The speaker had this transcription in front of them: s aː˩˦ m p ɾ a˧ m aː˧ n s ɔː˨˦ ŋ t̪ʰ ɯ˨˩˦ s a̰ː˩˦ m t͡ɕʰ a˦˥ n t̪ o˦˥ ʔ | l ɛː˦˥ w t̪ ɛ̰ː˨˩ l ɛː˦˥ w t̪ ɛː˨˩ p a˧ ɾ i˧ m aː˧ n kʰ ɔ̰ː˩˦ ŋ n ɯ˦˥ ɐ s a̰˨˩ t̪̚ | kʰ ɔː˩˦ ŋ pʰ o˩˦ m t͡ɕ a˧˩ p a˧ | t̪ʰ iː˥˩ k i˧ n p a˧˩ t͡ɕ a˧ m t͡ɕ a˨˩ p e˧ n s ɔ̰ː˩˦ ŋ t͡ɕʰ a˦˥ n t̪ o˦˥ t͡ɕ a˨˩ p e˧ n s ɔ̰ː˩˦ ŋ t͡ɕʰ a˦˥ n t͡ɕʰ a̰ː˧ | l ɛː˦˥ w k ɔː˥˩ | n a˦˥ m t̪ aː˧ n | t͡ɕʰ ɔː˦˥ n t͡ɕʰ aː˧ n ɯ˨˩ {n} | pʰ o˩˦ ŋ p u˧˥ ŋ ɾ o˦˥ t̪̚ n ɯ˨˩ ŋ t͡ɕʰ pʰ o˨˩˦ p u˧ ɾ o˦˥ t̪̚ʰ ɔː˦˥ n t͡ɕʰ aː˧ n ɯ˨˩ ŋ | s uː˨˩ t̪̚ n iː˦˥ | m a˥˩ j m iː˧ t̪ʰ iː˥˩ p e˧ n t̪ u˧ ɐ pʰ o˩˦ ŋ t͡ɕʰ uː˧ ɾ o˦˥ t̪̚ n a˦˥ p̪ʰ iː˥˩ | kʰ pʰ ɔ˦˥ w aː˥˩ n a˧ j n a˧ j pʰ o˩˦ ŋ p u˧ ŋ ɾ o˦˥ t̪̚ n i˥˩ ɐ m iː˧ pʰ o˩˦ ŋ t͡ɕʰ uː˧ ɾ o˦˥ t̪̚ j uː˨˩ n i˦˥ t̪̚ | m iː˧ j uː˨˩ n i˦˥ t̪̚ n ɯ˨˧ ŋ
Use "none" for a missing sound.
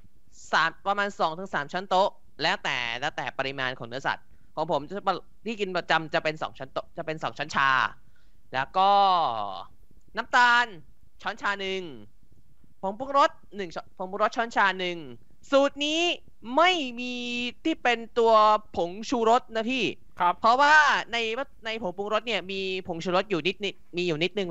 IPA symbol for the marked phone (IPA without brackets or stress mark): ŋ